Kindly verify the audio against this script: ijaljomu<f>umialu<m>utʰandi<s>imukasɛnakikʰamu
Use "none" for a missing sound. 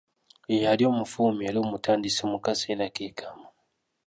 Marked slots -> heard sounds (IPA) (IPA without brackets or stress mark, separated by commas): f, m, s